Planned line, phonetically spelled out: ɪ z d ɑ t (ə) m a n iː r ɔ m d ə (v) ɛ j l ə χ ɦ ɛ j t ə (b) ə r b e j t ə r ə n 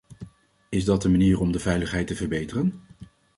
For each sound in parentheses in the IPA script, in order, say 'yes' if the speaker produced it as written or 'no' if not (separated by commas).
yes, yes, no